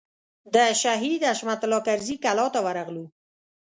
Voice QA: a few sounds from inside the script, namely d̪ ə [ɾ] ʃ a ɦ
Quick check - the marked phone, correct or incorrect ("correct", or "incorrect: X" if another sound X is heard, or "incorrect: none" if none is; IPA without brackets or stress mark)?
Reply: incorrect: none